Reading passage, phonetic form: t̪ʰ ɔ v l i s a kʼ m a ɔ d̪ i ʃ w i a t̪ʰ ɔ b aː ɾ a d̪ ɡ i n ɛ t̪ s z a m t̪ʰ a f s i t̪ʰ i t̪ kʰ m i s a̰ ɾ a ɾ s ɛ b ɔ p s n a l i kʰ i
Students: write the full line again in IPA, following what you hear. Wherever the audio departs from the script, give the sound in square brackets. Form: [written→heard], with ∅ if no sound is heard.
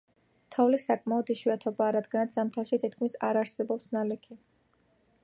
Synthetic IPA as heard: t̪ʰ ɔ v l i s a kʼ m a ɔ d̪ i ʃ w i a t̪ʰ ɔ b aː ɾ a d̪ ɡ [i→a] n [ɛ→a] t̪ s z a m t̪ʰ a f [s→ʃ] i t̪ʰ i t̪ kʰ m i s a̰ ɾ a ɾ s ɛ b ɔ p s n a l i kʰ i

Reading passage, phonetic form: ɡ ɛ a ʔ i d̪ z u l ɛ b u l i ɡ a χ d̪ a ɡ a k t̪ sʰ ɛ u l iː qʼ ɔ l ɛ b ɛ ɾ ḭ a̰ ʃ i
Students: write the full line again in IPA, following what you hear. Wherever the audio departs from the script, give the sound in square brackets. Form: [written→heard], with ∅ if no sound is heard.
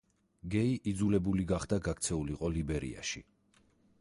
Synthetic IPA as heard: ɡ ɛ [a→i] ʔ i d̪ z u l ɛ b u l i ɡ a χ d̪ a ɡ a k t̪ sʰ ɛ u l [iː→i] qʼ ɔ l [ɛ→i] b ɛ ɾ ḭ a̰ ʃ i

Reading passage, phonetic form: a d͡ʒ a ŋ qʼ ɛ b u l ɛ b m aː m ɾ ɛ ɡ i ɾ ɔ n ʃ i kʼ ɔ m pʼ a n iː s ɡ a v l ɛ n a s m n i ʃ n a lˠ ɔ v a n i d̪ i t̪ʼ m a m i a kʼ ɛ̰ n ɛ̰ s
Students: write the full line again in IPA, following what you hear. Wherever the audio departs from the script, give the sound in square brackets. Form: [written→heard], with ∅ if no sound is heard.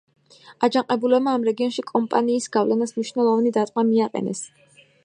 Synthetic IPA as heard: a d͡ʒ a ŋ qʼ ɛ b u l ɛ b m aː m ɾ ɛ ɡ i [ɾ→∅] ɔ n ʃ i kʼ ɔ m pʼ a n iː s ɡ a v l ɛ n a s m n i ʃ n [a→ɛ] lˠ ɔ v a n i d̪ [i→a] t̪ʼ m a m i a [kʼ→qʼ] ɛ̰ n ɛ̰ s

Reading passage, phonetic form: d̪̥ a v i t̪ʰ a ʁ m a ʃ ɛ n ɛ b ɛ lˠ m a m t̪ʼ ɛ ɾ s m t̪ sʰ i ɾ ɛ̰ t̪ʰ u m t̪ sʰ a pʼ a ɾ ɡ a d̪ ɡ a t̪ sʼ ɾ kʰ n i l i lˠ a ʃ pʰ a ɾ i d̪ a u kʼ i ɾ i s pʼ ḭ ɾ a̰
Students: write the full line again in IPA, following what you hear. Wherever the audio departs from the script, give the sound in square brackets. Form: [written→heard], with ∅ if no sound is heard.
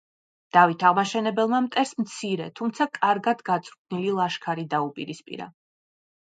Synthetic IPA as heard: d̪̥ a v i t̪ʰ a ʁ m a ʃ ɛ n ɛ b ɛ lˠ m a m t̪ʼ ɛ ɾ s m t̪ sʰ i ɾ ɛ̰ t̪ʰ u m t̪ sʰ a [pʼ→kʼ] a ɾ ɡ a d̪ ɡ a t̪ sʼ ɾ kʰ n i l i lˠ a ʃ [pʰ→kʰ] a ɾ i d̪ a u [kʼ→pʼ] i ɾ i s pʼ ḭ ɾ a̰

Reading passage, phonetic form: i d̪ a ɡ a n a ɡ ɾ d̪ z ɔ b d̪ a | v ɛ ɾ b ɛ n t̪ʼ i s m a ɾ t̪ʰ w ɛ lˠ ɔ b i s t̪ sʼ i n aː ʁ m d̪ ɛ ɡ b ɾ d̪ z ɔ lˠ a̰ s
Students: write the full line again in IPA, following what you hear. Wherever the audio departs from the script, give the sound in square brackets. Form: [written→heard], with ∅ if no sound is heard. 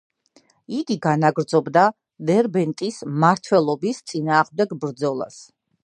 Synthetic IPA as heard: i d̪ [a→i] ɡ a n a ɡ ɾ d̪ z ɔ b d̪ a | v ɛ ɾ b ɛ n t̪ʼ i s m a ɾ t̪ʰ w ɛ lˠ ɔ b i s t̪ sʼ i n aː ʁ m d̪ ɛ ɡ b ɾ d̪ z ɔ lˠ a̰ s

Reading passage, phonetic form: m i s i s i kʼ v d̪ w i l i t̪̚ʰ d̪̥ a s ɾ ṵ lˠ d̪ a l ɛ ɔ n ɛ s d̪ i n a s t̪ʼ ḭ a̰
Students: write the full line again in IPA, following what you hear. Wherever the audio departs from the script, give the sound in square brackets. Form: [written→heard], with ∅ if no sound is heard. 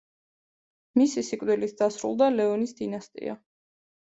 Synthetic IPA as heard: m i s i s i kʼ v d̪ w i l i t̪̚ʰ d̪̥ a s ɾ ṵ lˠ d̪ a l ɛ ɔ n [ɛ→i] s d̪ i n a s t̪ʼ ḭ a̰

